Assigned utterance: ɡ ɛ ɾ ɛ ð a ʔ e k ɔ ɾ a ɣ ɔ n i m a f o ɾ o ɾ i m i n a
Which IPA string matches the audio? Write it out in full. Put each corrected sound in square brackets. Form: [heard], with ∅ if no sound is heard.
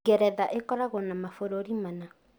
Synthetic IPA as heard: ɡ ɛ ɾ ɛ ð a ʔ e k ɔ ɾ a ɣ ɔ n [a] m a f o ɾ o ɾ i m [a] n a